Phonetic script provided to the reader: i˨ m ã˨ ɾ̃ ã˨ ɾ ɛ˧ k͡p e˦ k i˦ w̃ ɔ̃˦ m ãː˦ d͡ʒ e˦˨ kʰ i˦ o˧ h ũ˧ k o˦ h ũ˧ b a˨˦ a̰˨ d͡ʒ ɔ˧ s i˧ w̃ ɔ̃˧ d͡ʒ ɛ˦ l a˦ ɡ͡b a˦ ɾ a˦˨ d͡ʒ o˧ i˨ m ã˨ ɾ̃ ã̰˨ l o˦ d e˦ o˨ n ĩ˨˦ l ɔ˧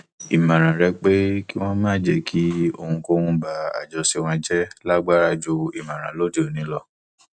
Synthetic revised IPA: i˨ m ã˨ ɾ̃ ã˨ ɾ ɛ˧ k͡p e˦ k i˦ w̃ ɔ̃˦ m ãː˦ d͡ʒ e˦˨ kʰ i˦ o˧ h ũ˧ k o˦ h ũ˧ b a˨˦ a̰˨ d͡ʒ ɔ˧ s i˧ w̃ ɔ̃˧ d͡ʒ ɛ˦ l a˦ ɡ͡b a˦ ɾ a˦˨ d͡ʒ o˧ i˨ m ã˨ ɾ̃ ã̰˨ l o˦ d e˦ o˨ n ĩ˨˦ l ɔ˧